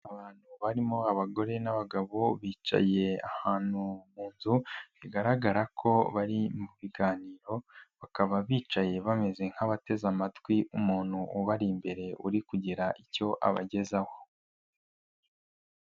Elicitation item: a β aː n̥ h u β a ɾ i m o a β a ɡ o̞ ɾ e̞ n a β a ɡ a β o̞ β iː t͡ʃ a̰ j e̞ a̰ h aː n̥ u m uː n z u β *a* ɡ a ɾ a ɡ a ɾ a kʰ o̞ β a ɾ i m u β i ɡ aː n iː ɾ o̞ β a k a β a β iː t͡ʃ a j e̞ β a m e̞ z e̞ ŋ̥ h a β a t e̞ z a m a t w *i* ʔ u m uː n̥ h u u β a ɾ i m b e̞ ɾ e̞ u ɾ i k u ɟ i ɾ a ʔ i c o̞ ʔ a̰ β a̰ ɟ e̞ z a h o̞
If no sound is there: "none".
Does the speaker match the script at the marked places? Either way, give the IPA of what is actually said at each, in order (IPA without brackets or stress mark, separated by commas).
i, i